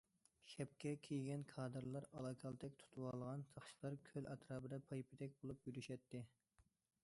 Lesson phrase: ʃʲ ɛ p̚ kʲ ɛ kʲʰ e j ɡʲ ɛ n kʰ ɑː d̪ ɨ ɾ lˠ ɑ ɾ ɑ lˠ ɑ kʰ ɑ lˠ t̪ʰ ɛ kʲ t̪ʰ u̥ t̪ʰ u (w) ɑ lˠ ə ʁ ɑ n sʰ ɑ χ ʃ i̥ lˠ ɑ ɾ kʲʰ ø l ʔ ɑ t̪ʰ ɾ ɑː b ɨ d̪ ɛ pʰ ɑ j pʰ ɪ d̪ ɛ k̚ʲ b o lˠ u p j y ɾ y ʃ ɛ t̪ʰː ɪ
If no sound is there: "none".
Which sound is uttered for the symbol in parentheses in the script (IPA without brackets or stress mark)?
w